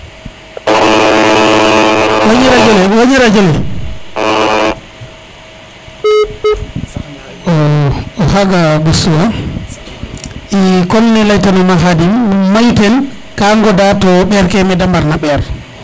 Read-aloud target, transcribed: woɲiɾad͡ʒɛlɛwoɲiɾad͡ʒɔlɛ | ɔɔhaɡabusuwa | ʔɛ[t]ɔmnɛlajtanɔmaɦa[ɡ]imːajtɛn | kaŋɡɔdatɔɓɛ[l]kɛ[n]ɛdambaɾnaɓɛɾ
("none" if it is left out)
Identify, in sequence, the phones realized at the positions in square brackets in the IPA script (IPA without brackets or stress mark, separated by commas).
k, d, ɾ, m